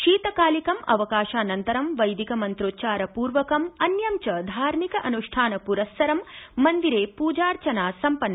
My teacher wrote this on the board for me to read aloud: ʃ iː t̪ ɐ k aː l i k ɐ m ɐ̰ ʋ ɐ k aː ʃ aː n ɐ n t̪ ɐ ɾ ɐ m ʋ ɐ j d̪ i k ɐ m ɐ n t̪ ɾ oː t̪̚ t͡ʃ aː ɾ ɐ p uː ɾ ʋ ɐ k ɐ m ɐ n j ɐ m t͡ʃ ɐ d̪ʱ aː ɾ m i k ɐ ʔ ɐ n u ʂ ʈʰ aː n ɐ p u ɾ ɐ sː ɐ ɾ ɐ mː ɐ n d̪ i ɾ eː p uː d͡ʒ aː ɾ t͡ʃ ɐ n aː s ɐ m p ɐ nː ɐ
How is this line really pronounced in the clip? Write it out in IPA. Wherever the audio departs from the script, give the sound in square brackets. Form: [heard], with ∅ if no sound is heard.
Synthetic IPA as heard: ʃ iː t̪ ɐ k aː l i k ɐ m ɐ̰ ʋ ɐ k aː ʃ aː n ɐ n t̪ ɐ ɾ ɐ m ʋ ɐ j d̪ i k ɐ m ɐ n t̪ ɾ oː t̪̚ t͡ʃ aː ɾ ɐ p uː ɾ ʋ ɐ k ɐ m ɐ n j ɐ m t͡ʃ ɐ d̪ʱ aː ɾ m i k ɐ ʔ ɐ n u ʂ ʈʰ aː n ɐ p u ɾ ɐ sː ɐ ɾ ɐ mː ɐ n d̪ i ɾ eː p uː d͡ʒ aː ɾ t͡ʃ ɐ n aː s ɐ m p ɐ nː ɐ